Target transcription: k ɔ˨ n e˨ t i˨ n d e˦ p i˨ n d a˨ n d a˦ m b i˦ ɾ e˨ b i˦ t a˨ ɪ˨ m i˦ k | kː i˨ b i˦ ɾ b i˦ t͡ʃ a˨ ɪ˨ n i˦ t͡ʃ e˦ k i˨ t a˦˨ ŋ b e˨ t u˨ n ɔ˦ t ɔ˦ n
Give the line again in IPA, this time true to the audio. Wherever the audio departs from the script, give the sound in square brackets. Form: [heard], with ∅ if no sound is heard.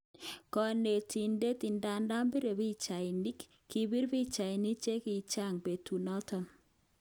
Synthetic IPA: k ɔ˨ n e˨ t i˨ n d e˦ [t] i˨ n d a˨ n d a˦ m b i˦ ɾ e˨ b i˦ [t͡ʃ] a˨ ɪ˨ [n] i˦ k | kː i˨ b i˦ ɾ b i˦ t͡ʃ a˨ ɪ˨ n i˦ t͡ʃ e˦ k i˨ [t͡ʃ] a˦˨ ŋ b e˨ t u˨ n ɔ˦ t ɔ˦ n